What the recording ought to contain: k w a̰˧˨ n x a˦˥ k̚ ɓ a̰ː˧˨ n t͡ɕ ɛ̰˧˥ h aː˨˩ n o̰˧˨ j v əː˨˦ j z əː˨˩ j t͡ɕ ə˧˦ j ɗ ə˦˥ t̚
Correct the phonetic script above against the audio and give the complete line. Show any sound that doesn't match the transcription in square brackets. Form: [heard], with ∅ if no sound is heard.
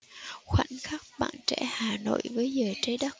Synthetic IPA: [x] w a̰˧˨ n x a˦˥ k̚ ɓ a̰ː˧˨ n t͡ɕ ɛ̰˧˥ h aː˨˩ n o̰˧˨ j v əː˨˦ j z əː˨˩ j t͡ɕ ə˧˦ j ɗ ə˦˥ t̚

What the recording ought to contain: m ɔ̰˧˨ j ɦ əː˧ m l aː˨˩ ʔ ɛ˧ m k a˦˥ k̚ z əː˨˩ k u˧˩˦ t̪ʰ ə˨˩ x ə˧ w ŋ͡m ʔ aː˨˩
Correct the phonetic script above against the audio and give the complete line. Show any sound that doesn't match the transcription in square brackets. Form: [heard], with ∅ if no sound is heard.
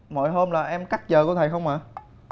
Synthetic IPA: m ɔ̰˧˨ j ɦ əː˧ m l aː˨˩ ʔ ɛ˧ m k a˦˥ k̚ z əː˨˩ k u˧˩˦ t̪ʰ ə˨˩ x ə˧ w ŋ͡m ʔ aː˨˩

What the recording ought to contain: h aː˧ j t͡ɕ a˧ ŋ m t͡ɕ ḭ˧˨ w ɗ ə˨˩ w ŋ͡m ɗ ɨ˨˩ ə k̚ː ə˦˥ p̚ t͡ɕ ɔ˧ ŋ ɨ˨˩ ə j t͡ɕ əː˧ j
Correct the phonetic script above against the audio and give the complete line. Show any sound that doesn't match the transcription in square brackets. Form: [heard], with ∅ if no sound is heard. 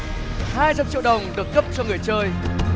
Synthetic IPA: h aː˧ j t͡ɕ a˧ [∅] m t͡ɕ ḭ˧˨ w ɗ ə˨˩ w ŋ͡m ɗ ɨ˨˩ ə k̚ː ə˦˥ p̚ t͡ɕ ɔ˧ ŋ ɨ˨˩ ə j t͡ɕ əː˧ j

